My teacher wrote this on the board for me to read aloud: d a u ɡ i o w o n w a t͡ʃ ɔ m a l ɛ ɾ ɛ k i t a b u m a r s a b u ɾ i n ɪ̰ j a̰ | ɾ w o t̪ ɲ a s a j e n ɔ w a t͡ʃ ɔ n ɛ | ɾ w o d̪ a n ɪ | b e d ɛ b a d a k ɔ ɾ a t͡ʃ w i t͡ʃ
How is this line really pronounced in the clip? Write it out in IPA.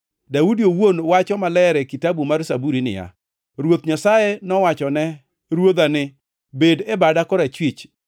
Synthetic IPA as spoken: d a u d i o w o n w a t͡ʃ ɔ m a l ɛ ɾ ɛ k i t a b u m a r s a b u ɾ i n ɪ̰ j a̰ | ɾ w o t̪ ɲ a s a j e n ɔ w a t͡ʃ ɔ n ɛ | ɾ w o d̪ a n ɪ | b e d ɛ b a d a k ɔ ɾ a t͡ʃ w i t͡ʃ

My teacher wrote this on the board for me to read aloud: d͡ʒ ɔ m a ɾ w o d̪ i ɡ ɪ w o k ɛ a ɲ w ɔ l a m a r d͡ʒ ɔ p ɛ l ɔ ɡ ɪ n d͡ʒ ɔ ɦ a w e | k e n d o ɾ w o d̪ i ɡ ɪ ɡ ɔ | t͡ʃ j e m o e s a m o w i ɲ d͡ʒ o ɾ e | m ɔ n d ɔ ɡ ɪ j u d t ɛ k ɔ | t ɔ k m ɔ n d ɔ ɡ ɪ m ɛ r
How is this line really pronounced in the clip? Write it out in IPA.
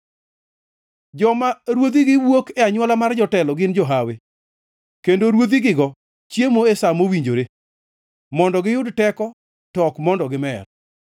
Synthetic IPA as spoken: d͡ʒ ɔ m a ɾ w o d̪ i ɡ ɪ w o k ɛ a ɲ w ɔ l a m a r d͡ʒ ɔ t ɛ l ɔ ɡ ɪ n d͡ʒ ɔ ɦ a w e | k e n d o ɾ w o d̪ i ɡ ɪ ɡ ɔ | t͡ʃ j e m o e s a m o w i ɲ d͡ʒ o ɾ e | m ɔ n d ɔ ɡ ɪ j ʊ d t ɛ k ɔ | t ɔ k m ɔ n d ɔ ɡ ɪ m ɛ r

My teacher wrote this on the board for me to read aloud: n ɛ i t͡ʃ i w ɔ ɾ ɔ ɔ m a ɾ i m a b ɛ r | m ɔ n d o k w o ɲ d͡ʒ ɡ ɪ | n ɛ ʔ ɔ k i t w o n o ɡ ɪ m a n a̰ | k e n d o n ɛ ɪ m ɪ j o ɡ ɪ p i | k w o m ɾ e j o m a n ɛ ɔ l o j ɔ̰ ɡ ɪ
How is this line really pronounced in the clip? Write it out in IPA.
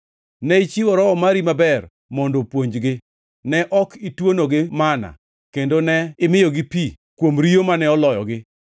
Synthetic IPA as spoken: n ɛ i t͡ʃ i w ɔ ɾ ɔ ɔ m a ɾ i m a b ɛ r | m ɔ n d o p w o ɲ d͡ʒ ɡ ɪ | n ɛ ʔ ɔ k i t w o n o ɡ ɪ m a n a̰ | k e n d o n ɛ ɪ m ɪ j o ɡ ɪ p i | k w o m ɾ i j o m a n ɛ ɔ l ɔ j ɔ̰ ɡ ɪ

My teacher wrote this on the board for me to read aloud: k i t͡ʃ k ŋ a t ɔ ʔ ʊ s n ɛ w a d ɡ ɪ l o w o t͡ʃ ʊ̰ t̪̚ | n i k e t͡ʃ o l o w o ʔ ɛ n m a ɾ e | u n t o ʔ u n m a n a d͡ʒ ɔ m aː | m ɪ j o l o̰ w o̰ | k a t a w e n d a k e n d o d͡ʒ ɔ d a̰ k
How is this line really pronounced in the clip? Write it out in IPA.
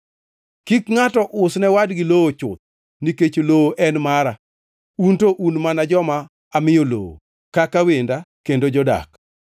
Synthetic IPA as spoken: k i k ŋ a t ɔ ʔ ʊ s n ɛ w a d ɡ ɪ l o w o t͡ʃ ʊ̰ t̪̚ | n i k e t͡ʃ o l o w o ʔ ɛ n m a ɾ a | u n t o ʔ u n m a n a d͡ʒ ɔ m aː | m ɪ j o l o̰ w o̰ | k a k a w e n d a k e n d o d͡ʒ ɔ d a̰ k

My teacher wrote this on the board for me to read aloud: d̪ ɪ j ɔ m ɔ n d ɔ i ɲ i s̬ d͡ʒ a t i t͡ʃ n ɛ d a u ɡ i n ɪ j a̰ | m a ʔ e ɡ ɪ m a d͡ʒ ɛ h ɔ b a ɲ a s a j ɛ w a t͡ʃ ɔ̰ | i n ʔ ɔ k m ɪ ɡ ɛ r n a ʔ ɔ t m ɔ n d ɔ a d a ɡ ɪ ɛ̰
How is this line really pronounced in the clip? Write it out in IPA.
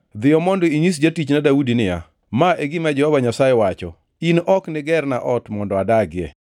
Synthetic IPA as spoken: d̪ ɪ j ɔ m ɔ n d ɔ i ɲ i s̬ d͡ʒ a t i t͡ʃ n a d a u d i n ɪ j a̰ | m a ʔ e ɡ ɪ m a d͡ʒ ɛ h ɔ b a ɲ a s a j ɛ w a t͡ʃ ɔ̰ | i n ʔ ɔ k n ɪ ɡ ɛ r n a ʔ ɔ t m ɔ n d ɔ a d a ɡ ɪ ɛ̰

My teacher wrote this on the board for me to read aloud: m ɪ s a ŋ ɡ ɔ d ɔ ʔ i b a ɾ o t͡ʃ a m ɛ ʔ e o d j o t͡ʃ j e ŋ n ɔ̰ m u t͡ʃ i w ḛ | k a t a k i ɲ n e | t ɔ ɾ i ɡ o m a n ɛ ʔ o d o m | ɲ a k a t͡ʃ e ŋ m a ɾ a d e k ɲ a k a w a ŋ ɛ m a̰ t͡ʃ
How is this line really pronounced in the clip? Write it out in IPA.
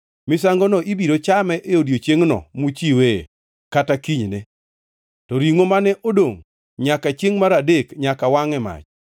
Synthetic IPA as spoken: m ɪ s a ŋ ɡ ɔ n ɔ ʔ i b i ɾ o t͡ʃ a m ɛ ʔ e o d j o t͡ʃ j e ŋ n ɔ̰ m u t͡ʃ i w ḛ | k a t a k i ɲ n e | t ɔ ɾ i ŋ o m a n ɛ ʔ o d o ŋ | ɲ a k a t͡ʃ e ŋ m a ɾ a d e k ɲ a k a w a ŋ ɛ m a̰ t͡ʃ

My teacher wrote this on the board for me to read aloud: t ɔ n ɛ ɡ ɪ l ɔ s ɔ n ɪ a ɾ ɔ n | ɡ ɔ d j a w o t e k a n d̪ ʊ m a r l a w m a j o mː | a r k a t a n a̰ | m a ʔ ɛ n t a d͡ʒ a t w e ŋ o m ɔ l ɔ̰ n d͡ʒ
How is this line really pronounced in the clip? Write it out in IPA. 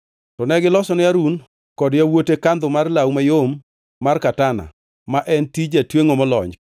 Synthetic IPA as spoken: t ɔ n ɛ ɡ ɪ l ɔ s ɔ n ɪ a ɾ u n | k ɔ d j a w o t e k a n d̪ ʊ m a r l a w m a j o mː | a r k a t a n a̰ | m a ʔ ɛ n t i d͡ʒ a t w e ŋ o m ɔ l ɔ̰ ɲ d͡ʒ

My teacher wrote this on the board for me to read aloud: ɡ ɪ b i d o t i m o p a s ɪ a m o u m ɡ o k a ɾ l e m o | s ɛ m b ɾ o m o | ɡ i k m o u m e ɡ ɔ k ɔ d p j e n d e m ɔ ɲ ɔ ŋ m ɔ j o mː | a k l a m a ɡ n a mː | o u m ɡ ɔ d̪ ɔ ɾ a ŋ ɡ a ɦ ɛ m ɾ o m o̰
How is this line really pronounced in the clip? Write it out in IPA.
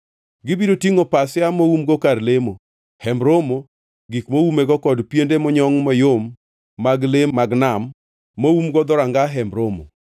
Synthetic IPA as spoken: ɡ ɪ b i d o t i ŋ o p a s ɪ a m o u m ɡ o k a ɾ l e m o | h ɛ m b ɾ o m o | ɡ i k m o u m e ɡ ɔ k ɔ d p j e n d e m ɔ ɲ ɔ ŋ m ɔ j o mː | a ɡ l e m a ɡ n a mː | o u m ɡ ɔ d̪ ɔ ɾ a ŋ ɡ a ɦ ɛ m ɾ o m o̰

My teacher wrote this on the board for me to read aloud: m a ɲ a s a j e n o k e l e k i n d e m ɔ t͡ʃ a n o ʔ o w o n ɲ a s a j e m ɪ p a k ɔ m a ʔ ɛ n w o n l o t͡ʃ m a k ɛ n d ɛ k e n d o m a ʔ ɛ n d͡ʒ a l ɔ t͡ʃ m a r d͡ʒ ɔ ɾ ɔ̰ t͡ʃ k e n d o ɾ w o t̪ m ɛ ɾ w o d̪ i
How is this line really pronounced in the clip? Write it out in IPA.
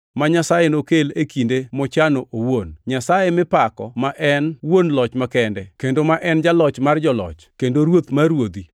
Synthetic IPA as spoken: m a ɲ a s a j e n o k e l e k i n d e m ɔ t͡ʃ a n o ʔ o w o n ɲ a s a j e m ɪ p a k ɔ m a ʔ ɛ n w o n l ɔ t͡ʃ m a k ɛ n d ɛ k e n d o m a ʔ ɛ n d͡ʒ a l ɔ t͡ʃ m a r d͡ʒ ɔ l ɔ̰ t͡ʃ k e n d o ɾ w o t̪ m a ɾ w o d̪ i

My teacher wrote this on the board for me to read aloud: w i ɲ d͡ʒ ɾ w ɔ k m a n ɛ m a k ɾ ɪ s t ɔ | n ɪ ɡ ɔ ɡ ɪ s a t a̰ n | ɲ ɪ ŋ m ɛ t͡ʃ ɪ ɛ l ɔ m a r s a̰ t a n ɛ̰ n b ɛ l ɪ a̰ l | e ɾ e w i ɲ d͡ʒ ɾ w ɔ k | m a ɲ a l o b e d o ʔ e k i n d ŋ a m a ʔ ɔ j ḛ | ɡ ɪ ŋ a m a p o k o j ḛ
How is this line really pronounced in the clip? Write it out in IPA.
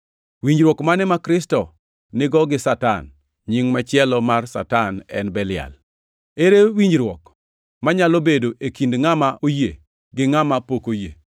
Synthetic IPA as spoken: w i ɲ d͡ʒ ɾ w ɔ k m a n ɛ m a k ɾ ɪ s t ɔ | n ɪ ɡ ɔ ɡ ɪ s a t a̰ n | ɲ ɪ ŋ m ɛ t͡ʃ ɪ ɛ l ɔ m a r s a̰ t a n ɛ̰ n b ɛ l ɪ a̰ l | e ɾ e w i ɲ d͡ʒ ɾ w ɔ k | m a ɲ a l o b e d o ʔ e k i n d ŋ a m a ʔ o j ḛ | ɡ ɪ ŋ a m a p o k o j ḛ

